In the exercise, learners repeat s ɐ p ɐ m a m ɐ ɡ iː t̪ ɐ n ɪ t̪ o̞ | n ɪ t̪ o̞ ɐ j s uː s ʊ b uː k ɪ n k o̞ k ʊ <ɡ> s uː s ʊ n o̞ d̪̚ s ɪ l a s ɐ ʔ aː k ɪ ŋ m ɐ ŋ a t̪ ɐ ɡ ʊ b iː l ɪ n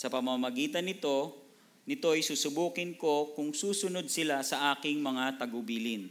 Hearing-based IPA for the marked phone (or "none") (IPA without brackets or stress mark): ŋ